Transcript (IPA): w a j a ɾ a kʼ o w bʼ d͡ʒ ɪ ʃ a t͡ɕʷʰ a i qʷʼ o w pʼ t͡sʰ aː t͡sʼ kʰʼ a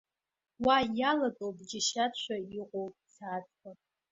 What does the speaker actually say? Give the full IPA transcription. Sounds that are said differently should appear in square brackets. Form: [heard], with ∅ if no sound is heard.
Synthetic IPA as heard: w a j a [l] a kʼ o w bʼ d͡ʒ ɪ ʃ a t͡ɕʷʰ a i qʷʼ o w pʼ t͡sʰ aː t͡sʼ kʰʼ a